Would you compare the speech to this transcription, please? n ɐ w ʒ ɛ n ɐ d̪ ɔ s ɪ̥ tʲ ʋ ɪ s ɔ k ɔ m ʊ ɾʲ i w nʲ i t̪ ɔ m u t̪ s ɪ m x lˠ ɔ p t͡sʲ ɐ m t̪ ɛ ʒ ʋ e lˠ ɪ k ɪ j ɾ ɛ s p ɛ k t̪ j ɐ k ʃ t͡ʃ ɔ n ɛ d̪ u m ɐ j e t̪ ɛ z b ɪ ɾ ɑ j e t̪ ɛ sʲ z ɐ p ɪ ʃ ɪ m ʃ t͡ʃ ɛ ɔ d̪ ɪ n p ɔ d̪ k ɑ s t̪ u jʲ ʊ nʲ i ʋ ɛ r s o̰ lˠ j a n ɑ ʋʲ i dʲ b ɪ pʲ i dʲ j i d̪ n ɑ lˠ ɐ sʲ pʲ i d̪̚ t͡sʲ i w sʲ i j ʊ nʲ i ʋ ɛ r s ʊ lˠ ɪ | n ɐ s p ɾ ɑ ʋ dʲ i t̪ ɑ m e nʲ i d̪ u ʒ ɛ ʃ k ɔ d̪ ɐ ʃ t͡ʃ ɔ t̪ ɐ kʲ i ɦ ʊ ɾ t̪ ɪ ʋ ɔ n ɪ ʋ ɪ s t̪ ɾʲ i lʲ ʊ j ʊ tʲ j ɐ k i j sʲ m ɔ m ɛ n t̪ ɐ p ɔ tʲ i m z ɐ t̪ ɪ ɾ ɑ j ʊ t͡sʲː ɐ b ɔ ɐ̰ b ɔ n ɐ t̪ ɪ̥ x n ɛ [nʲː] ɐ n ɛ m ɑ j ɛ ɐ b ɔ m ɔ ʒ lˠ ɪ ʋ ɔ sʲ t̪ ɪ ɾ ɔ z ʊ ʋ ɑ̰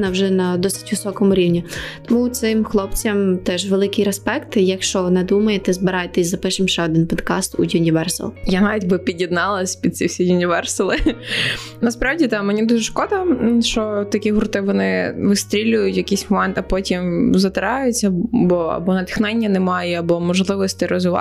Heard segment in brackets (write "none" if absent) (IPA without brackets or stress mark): nʲː